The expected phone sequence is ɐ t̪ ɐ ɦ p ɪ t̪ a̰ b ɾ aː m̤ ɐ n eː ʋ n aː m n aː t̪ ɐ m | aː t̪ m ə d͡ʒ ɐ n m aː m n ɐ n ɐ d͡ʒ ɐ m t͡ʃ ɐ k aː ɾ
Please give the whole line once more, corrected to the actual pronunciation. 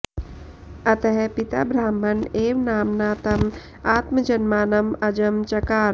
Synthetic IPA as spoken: ɐ t̪ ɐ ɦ p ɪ t̪ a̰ b ɾ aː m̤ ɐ n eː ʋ n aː m n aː t̪ ɐ m | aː t̪ m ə d͡ʒ ɐ n m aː n ɐ m ɐ d͡ʒ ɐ m t͡ʃ ɐ k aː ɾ